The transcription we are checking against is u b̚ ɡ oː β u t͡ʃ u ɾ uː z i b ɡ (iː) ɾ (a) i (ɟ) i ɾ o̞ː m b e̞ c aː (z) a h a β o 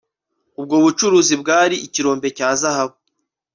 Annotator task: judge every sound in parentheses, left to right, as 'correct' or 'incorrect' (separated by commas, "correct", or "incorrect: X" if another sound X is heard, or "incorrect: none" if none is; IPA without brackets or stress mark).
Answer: incorrect: aː, incorrect: i, incorrect: c, correct